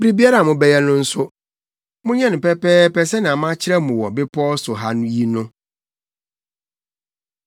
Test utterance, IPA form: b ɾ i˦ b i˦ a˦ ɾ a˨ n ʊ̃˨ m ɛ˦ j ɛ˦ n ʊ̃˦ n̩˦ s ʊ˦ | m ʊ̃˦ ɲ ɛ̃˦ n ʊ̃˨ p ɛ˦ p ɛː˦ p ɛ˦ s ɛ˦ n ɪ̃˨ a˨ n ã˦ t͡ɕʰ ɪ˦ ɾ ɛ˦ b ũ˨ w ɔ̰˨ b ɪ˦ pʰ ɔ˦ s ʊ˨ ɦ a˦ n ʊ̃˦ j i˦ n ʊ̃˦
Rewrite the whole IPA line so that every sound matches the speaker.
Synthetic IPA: b ɾ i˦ b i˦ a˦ ɾ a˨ m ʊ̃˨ b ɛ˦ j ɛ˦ n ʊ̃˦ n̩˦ s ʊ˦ | m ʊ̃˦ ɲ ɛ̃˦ n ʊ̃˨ p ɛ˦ p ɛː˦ p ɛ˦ s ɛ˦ n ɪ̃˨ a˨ m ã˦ t͡ɕʰ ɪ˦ ɾ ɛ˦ m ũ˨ w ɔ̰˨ b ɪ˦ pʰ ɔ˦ s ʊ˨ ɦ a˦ n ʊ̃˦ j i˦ n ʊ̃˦